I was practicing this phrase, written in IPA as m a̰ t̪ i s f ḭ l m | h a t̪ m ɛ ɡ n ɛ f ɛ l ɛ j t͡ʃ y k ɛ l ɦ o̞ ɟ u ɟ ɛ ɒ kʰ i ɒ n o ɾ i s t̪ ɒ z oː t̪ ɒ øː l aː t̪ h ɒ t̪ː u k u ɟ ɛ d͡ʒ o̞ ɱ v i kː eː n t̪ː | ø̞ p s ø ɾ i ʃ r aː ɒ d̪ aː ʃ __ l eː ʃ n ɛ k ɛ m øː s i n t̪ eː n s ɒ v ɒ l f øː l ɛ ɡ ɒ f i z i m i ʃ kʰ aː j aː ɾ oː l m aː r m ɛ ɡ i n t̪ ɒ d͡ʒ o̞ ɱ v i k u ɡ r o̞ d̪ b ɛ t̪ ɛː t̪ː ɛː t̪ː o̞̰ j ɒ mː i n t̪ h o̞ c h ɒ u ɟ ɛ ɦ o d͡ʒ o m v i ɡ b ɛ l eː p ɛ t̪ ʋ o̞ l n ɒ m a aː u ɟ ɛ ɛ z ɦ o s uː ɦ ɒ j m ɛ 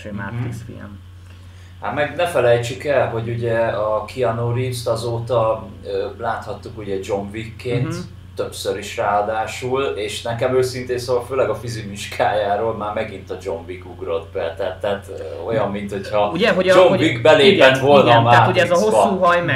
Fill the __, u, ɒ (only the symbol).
u